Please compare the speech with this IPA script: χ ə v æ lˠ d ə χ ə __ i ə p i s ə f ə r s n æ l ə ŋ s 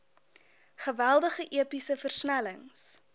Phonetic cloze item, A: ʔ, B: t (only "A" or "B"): A